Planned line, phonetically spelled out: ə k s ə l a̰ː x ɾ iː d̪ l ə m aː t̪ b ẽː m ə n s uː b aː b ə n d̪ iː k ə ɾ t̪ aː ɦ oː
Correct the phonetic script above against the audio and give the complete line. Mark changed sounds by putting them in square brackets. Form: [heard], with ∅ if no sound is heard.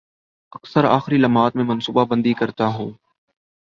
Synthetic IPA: ə k s ə [ɾ] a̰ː x ɾ iː [∅] l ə m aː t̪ [m] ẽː m ə n s uː b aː b ə n d̪ iː k ə ɾ t̪ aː ɦ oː